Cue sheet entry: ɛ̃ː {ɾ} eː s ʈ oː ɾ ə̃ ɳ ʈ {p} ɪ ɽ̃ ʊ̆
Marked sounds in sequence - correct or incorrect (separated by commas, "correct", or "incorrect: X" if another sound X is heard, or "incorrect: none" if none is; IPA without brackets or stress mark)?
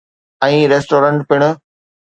correct, correct